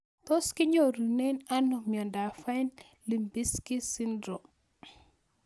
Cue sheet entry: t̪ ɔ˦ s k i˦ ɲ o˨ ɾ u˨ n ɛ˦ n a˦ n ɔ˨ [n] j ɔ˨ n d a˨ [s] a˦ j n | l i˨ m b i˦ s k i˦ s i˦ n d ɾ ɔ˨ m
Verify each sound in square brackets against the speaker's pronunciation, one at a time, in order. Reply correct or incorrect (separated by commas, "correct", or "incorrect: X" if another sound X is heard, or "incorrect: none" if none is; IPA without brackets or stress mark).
incorrect: m, incorrect: f